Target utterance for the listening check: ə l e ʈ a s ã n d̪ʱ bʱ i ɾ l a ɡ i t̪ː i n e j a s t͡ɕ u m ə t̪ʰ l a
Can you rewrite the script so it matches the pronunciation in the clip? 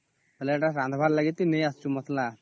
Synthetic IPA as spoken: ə l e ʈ a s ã n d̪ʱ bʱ a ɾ l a ɡ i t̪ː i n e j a s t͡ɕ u m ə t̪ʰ l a